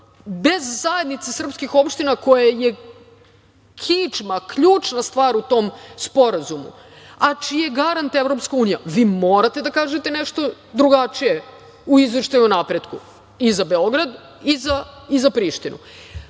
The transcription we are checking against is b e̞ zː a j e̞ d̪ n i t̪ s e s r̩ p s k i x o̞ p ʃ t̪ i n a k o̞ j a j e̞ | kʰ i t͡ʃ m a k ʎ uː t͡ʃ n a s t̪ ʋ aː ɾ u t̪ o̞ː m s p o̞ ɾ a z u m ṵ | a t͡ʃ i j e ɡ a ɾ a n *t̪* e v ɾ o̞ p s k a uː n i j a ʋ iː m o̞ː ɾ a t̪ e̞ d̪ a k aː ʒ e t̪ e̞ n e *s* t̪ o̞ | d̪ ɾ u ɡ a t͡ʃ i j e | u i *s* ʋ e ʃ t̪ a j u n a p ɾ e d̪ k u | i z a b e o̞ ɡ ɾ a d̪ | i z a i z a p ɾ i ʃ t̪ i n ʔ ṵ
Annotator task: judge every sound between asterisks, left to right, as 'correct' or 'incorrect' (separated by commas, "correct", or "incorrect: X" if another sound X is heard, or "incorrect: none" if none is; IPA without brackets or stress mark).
correct, incorrect: ʃ, incorrect: z